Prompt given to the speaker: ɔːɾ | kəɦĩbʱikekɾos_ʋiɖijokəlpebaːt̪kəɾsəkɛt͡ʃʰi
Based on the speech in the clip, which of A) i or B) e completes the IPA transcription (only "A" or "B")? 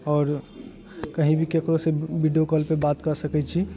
B